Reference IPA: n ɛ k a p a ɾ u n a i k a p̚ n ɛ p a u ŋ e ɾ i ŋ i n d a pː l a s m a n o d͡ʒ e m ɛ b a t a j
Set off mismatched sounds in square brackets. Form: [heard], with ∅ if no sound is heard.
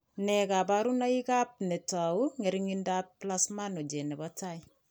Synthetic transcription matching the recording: n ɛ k a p a ɾ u n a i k a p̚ n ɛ [t] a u ŋ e ɾ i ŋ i n d a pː l a s m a n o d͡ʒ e [n] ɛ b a t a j